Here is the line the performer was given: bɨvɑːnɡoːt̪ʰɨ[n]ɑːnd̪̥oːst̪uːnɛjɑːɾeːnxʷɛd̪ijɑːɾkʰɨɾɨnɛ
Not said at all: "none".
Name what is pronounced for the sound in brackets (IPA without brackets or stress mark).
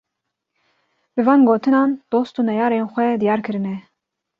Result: n